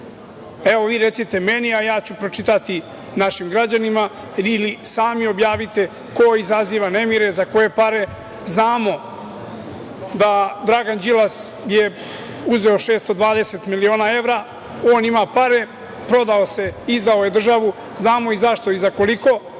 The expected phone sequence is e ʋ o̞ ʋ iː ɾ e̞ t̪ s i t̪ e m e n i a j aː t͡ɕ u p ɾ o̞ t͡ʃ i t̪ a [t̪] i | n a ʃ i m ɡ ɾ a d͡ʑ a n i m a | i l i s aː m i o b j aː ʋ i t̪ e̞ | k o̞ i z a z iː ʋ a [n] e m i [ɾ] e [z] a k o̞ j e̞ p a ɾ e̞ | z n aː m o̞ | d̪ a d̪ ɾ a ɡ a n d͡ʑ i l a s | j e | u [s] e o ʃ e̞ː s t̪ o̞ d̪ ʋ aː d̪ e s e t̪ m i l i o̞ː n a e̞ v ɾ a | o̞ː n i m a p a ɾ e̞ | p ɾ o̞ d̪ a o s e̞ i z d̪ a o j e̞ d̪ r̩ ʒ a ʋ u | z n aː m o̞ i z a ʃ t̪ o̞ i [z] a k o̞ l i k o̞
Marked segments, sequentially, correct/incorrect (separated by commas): correct, correct, correct, correct, incorrect, correct